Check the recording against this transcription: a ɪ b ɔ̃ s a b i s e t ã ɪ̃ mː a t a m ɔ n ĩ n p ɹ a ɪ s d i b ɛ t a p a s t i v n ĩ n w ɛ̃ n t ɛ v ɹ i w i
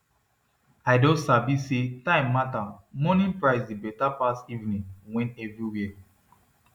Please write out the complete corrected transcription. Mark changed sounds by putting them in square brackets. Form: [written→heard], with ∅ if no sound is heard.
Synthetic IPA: a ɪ [b→d] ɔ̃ s a b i s e t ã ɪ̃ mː a t a m ɔ n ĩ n p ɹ a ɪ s d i b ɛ t a p a s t i v n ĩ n w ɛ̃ n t ɛ v ɹ i w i